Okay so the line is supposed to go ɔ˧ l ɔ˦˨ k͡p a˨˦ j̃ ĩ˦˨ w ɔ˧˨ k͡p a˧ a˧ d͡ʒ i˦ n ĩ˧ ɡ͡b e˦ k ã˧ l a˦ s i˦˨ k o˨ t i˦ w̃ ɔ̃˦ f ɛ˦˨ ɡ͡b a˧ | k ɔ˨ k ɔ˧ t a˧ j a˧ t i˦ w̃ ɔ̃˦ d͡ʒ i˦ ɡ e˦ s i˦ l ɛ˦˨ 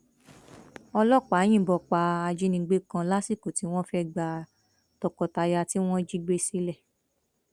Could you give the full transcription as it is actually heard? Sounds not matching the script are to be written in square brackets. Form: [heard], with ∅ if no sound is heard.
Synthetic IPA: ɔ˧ l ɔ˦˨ k͡p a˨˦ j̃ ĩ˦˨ [b] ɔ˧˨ k͡p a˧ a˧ d͡ʒ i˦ n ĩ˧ ɡ͡b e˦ k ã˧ l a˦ s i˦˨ k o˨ t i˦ w̃ ɔ̃˦ f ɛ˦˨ ɡ͡b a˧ | [t] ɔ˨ k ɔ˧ t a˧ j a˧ t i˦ w̃ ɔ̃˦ d͡ʒ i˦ [ɡ͡b] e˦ s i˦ l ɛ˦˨